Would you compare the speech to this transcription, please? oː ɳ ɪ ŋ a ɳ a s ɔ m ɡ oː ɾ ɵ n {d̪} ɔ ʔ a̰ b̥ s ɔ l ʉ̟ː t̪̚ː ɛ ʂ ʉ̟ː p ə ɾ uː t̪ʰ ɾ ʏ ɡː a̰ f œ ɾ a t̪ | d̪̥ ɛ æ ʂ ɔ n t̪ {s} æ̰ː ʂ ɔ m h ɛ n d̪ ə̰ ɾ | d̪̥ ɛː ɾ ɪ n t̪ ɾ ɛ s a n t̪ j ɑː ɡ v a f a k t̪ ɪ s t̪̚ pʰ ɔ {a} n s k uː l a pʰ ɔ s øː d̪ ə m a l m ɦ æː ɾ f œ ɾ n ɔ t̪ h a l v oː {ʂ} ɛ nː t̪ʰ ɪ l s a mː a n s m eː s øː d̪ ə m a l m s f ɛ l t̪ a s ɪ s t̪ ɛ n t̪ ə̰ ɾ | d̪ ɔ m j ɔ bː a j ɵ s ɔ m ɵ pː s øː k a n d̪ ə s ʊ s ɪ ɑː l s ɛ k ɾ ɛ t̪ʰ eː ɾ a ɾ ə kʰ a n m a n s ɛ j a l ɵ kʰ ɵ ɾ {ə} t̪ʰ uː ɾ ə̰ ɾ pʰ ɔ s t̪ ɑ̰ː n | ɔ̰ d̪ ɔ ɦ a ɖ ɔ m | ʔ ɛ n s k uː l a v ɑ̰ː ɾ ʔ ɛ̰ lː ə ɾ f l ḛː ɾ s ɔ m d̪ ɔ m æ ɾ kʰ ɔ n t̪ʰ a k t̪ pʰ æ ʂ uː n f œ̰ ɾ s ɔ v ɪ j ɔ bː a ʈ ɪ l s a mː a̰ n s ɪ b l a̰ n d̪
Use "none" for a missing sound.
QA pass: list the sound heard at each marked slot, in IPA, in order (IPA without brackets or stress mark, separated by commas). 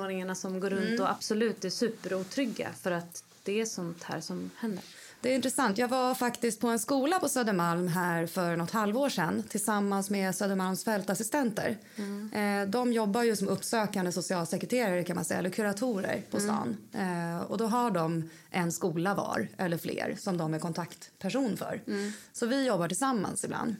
t̪, h, ɛ, ʂ, a